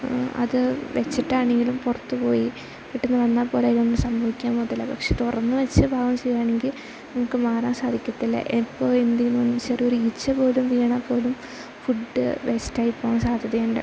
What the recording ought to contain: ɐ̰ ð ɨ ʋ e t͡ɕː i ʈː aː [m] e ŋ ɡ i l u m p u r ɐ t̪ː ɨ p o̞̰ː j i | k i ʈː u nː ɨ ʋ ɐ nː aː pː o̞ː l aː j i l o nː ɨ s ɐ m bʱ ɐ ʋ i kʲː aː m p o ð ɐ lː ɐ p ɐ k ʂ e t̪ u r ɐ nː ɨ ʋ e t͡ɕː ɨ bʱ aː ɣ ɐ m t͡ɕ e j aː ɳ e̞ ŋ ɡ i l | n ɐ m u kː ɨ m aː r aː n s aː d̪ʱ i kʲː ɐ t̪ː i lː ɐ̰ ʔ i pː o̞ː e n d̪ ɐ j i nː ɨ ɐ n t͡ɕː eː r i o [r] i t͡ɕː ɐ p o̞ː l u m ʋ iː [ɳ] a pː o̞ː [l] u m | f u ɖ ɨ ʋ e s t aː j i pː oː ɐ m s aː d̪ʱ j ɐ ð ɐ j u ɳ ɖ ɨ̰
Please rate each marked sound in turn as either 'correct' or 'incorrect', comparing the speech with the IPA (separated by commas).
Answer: incorrect, incorrect, correct, correct